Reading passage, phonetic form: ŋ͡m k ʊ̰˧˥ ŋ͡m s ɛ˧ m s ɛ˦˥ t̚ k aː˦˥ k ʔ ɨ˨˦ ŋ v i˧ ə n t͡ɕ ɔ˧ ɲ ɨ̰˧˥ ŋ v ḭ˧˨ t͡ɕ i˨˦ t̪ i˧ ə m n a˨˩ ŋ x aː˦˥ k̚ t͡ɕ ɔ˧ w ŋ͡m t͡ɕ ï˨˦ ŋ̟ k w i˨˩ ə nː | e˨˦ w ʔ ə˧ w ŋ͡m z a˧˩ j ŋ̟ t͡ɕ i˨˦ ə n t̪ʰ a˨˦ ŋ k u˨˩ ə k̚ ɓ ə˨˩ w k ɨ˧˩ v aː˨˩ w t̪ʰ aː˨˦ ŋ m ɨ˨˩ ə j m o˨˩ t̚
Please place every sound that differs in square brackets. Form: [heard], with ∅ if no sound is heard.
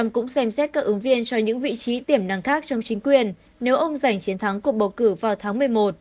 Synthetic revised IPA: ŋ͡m k ʊ̰˧˥ ŋ͡m s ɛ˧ m s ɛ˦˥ t̚ k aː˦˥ k ʔ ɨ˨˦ ŋ v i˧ ə n t͡ɕ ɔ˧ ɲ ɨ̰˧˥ ŋ v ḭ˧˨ t͡ɕ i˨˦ t̪ [i˧˩] ə m n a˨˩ ŋ x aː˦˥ k̚ t͡ɕ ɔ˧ w ŋ͡m t͡ɕ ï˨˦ ŋ̟ k w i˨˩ ə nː | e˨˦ w ʔ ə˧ w ŋ͡m z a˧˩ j ŋ̟ t͡ɕ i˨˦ ə n t̪ʰ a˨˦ ŋ k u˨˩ ə k̚ ɓ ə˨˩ w k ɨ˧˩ v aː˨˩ w t̪ʰ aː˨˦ ŋ m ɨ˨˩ ə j m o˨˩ t̚